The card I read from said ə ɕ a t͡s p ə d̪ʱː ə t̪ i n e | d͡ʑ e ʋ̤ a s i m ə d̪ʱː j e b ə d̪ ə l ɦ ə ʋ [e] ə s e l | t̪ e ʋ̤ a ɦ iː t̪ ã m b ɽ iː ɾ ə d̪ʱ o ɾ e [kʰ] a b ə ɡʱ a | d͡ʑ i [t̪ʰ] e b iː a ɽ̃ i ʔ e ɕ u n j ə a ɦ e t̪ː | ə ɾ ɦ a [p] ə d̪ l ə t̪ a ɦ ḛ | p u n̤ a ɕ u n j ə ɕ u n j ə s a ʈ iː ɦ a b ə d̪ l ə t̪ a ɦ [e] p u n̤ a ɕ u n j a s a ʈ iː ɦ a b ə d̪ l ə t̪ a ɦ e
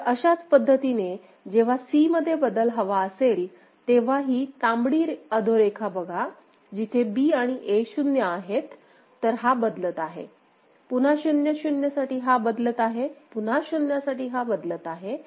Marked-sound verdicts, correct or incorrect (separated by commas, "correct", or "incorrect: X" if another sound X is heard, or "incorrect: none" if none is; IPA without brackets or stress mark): incorrect: a, correct, correct, incorrect: b, correct